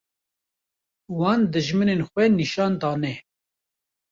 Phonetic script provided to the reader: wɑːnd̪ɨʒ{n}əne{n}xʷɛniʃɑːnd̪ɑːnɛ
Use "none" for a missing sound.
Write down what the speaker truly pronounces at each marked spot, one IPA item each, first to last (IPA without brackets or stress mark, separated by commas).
m, n